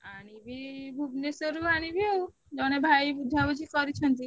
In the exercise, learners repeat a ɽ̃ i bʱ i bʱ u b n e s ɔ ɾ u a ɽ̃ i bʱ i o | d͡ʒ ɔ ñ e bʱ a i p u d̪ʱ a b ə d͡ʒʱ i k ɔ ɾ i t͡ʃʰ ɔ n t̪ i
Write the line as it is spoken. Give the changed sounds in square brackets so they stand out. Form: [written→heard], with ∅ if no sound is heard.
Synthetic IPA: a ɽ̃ i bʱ i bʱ u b n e s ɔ ɾ u a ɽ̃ i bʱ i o | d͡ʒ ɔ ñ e bʱ a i [p→b] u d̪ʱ a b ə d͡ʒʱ i k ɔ ɾ i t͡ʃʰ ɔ n t̪ i